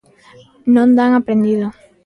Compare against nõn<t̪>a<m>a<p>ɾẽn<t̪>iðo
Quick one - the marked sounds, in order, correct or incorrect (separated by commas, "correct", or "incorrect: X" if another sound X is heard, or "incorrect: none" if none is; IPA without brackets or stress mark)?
incorrect: d̪, incorrect: ŋ, correct, incorrect: d̪